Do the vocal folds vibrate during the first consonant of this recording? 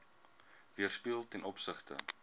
yes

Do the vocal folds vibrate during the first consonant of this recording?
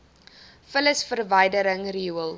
no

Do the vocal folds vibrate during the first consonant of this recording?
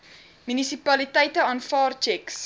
yes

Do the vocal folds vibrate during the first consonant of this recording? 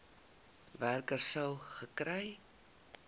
yes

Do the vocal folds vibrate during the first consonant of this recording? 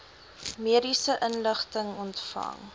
yes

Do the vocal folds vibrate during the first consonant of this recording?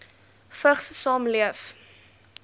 no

